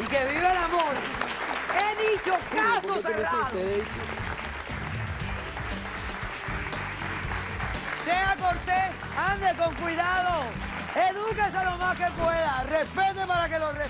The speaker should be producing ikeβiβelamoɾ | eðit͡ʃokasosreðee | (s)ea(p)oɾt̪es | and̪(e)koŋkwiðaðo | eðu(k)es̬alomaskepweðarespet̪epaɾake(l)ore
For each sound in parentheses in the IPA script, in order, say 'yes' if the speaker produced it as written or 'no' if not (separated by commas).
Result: yes, no, yes, yes, yes